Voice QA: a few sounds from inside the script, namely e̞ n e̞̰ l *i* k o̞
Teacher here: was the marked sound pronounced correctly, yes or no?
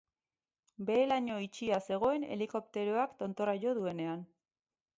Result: yes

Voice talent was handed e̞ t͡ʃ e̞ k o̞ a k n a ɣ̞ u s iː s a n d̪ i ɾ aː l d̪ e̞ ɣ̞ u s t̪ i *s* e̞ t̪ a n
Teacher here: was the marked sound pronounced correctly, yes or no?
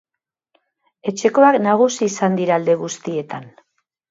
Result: no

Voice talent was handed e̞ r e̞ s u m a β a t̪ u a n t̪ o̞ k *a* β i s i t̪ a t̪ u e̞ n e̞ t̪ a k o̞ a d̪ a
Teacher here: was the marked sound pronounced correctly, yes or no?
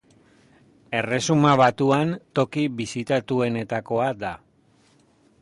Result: no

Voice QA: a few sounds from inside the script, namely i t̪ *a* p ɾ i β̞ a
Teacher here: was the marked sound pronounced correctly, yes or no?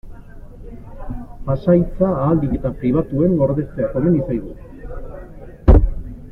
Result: yes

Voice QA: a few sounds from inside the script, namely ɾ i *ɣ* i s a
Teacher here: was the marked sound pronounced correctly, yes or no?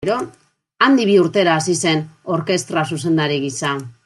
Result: yes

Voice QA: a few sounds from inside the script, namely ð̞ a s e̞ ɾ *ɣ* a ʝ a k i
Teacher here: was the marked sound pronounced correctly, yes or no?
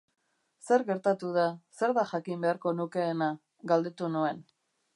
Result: no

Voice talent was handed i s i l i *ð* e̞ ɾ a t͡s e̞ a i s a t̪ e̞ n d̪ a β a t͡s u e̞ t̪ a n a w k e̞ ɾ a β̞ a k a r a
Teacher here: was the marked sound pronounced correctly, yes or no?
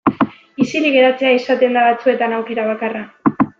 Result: no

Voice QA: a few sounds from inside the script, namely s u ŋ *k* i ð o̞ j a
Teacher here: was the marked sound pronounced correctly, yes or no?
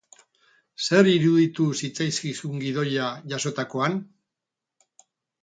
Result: no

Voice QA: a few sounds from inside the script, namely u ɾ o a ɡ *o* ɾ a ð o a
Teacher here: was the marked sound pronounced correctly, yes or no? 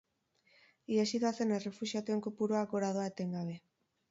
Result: yes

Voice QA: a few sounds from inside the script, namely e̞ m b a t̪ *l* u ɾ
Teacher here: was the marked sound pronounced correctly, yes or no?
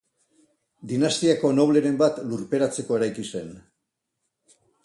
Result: yes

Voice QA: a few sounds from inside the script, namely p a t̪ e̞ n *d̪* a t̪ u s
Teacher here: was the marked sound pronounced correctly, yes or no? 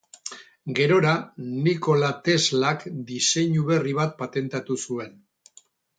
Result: no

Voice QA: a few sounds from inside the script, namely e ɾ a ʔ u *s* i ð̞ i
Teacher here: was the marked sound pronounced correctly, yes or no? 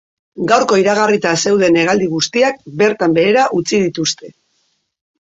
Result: no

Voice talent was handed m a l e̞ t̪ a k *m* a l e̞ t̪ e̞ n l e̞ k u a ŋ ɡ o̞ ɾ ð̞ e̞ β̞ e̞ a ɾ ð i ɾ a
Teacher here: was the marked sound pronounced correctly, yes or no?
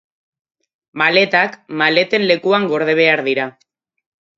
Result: yes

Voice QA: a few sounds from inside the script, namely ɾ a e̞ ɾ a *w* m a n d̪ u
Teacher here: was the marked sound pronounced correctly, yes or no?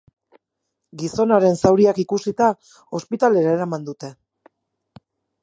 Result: no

